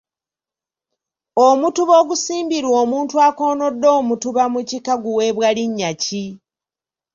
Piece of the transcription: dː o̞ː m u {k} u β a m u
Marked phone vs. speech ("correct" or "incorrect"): incorrect